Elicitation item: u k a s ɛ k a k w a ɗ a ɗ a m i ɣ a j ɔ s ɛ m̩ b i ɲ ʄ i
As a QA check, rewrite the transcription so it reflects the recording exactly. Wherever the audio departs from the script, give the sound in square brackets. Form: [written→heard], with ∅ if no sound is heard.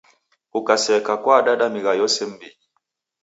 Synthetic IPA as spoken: u k a s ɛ k a k w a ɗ a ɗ a m i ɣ a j ɔ s ɛ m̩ b i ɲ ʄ i